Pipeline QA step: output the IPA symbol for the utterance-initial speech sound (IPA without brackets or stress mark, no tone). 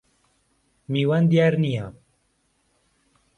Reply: m